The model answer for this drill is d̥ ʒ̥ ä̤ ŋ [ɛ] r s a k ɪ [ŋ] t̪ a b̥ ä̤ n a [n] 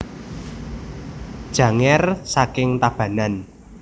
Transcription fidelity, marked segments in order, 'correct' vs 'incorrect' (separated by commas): correct, correct, correct